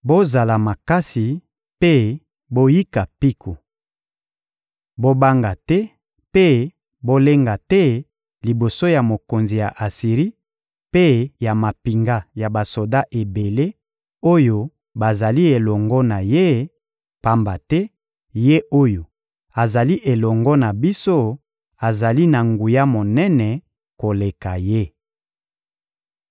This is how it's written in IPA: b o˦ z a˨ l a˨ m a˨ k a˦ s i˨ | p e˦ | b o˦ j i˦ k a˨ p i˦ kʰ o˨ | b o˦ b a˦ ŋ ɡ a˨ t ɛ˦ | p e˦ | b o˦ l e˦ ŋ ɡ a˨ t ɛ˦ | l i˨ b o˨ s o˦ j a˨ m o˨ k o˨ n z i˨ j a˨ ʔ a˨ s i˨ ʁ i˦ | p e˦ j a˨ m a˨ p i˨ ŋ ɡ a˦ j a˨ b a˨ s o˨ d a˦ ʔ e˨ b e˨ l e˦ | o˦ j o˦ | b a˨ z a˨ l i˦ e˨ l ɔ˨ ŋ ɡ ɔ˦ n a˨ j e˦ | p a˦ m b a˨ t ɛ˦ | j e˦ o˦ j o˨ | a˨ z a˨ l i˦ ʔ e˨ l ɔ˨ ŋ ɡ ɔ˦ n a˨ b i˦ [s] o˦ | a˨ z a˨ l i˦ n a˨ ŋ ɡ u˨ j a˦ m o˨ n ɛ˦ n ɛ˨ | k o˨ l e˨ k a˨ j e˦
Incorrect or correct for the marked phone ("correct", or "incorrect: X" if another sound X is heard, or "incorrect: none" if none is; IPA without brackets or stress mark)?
correct